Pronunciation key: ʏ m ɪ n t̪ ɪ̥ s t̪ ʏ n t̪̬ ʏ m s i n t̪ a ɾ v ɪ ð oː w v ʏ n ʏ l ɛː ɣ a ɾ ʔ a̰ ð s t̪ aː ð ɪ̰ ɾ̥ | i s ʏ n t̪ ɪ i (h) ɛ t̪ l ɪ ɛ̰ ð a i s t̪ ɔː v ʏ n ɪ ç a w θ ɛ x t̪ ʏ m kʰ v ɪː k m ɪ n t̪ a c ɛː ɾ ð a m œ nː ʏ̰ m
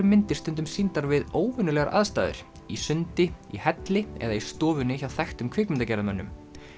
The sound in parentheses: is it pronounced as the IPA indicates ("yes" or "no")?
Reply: yes